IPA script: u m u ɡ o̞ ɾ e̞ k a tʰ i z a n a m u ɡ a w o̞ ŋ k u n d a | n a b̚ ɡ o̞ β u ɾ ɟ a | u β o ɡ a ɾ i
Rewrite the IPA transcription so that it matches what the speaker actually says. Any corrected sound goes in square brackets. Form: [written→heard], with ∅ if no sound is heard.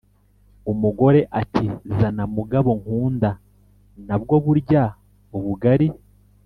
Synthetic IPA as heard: u m u ɡ o̞ ɾ e̞ [k→ʔ] a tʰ i z a n a m u ɡ a [w→β] o̞ ŋ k [u→uː] n d a | n a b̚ ɡ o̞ β u ɾ ɟ a | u β [o→u] ɡ a ɾ i